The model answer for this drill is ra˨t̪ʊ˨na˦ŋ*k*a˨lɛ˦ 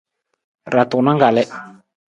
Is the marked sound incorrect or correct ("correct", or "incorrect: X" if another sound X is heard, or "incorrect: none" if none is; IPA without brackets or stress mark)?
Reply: incorrect: ɡ